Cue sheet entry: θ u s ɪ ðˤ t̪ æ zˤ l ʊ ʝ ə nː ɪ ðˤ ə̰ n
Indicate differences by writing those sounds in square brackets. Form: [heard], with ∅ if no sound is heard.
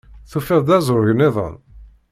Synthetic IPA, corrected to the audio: θ u [f] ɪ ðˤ [d̪] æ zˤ [ɾ] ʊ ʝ ə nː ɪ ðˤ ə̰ n